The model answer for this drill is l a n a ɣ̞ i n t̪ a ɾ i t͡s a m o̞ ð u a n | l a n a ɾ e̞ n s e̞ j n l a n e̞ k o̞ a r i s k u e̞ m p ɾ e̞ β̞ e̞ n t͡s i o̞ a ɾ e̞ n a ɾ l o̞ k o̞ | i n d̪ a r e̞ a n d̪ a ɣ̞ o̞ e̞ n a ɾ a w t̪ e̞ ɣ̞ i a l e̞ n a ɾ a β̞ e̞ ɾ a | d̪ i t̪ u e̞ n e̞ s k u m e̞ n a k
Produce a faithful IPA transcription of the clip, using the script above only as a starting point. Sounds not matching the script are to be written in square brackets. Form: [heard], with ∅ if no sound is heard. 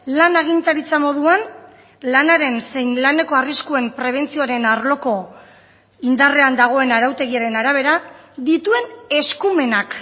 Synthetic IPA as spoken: l a n a ɣ̞ i n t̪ a ɾ i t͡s a m o̞ ð u a n | l a n a ɾ e̞ n s e̞ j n l a n e̞ k o̞ a r i s k u e̞ m p ɾ e̞ β̞ e̞ n t͡s i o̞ a ɾ e̞ n a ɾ l o̞ k o̞ | i n d̪ a r e̞ a n d̪ a ɣ̞ o̞ e̞ n a ɾ a w t̪ e̞ ɣ̞ i a [ɾ] e̞ n a ɾ a β̞ e̞ ɾ a | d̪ i t̪ u e̞ n e̞ s k u m e̞ n a k